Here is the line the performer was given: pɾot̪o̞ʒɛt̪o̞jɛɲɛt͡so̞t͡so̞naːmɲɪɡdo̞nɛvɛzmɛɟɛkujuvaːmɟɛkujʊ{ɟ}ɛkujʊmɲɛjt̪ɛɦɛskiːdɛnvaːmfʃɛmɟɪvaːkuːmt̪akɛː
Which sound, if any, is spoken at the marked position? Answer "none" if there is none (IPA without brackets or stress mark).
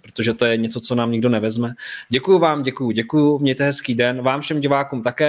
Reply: ɟ